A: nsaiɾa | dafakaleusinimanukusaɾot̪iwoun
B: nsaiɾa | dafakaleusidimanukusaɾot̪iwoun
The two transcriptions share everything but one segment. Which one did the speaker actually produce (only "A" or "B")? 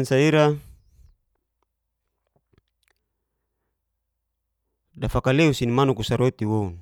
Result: A